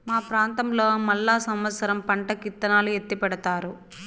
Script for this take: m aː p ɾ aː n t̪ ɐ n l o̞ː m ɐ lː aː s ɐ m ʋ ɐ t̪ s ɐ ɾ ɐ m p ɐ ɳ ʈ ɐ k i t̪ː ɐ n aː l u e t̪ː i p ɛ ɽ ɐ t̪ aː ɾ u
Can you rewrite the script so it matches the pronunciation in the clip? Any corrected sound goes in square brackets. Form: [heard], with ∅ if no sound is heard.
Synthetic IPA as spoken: m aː p ɾ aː n t̪ ɐ [m] l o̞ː m ɐ lː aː s ɐ m ʋ ɐ t̪ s ɐ ɾ ɐ m p ɐ ɳ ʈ ɐ k i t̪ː ɐ n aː l u e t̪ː i p ɛ ɽ ɐ t̪ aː ɾ u